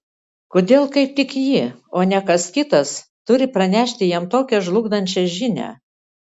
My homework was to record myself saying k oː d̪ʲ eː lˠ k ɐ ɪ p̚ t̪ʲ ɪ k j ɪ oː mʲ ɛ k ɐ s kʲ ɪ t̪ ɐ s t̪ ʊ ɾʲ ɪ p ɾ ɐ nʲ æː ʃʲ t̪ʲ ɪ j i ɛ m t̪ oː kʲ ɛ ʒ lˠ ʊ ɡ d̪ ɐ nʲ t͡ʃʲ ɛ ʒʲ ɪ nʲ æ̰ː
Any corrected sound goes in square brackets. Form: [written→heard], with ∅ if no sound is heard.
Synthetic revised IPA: k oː d̪ʲ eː lˠ k ɐ ɪ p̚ t̪ʲ ɪ k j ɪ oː [mʲ→nʲ] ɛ k ɐ s kʲ ɪ t̪ ɐ s t̪ ʊ ɾʲ ɪ p ɾ ɐ nʲ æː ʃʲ t̪ʲ ɪ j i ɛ m t̪ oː kʲ ɛ ʒ lˠ ʊ ɡ d̪ ɐ nʲ t͡ʃʲ ɛ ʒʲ ɪ nʲ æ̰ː